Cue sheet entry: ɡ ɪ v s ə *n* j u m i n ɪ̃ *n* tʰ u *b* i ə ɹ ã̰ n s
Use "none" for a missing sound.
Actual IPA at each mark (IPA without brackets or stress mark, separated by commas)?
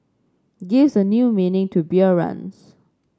n, ŋ, b